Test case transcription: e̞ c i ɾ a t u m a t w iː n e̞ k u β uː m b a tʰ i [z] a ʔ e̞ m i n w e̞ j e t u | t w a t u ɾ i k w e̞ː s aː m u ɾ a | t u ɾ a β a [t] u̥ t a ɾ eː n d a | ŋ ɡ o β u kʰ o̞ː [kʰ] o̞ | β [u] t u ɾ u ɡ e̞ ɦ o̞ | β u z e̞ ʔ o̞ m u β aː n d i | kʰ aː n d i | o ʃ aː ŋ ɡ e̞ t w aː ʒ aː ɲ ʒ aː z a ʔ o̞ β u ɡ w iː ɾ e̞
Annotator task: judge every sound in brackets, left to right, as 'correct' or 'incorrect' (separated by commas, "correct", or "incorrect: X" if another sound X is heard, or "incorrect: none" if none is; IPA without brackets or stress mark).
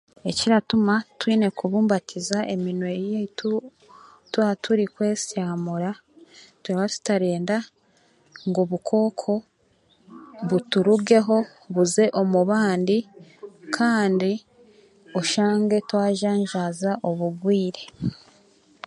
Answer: correct, correct, correct, correct